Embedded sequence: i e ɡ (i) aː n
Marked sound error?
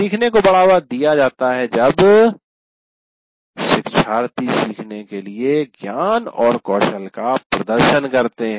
yes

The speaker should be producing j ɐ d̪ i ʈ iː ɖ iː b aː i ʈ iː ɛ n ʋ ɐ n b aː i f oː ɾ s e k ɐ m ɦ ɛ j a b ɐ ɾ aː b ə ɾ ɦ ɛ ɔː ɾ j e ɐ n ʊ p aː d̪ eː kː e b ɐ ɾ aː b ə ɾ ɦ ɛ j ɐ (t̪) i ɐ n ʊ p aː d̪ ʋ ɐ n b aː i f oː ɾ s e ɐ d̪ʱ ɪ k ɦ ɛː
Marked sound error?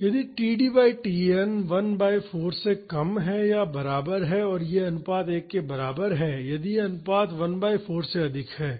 yes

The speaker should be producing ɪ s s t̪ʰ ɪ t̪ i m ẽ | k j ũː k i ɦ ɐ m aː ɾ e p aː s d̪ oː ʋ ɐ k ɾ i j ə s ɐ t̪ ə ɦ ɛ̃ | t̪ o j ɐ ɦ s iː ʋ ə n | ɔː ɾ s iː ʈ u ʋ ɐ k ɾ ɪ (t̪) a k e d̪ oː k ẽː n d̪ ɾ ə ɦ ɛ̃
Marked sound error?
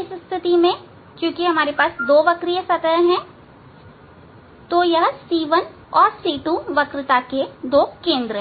no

